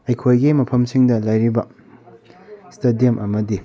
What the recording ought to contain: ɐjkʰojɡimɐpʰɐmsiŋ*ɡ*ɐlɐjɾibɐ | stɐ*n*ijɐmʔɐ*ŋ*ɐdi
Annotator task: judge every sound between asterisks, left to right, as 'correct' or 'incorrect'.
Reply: incorrect, incorrect, incorrect

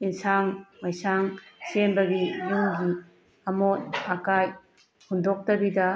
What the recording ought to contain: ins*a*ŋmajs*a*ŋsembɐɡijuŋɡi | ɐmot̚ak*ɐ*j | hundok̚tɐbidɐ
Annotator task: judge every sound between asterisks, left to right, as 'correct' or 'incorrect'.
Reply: correct, correct, incorrect

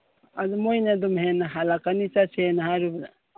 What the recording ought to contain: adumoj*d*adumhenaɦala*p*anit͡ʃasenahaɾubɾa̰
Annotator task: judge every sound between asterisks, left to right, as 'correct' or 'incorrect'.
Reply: incorrect, incorrect

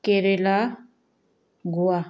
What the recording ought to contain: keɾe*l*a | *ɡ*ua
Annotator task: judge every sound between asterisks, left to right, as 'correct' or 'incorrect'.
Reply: correct, correct

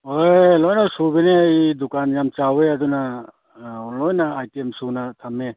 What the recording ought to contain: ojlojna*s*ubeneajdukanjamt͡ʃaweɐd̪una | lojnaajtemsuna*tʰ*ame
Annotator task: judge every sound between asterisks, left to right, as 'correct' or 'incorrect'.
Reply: correct, correct

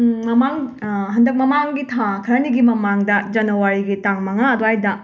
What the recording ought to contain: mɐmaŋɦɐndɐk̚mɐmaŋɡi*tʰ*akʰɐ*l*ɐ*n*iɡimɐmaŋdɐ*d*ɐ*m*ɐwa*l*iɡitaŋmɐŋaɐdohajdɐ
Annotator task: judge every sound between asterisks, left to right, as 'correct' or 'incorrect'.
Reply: correct, incorrect, correct, incorrect, incorrect, incorrect

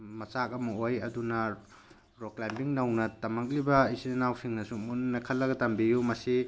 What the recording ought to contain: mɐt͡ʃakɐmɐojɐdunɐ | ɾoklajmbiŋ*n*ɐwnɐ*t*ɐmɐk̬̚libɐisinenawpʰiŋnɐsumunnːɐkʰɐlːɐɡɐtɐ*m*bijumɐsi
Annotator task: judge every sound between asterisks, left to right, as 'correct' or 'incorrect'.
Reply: correct, correct, correct

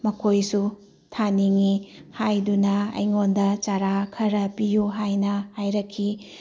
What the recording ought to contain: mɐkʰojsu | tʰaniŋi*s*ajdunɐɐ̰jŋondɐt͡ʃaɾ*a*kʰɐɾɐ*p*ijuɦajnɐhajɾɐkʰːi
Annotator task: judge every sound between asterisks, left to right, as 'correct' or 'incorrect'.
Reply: incorrect, correct, correct

